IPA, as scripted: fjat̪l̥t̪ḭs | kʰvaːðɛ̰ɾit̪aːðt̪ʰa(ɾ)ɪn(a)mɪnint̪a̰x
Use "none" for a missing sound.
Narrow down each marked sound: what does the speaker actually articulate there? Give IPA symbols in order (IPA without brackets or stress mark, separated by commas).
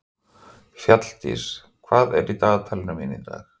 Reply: l, a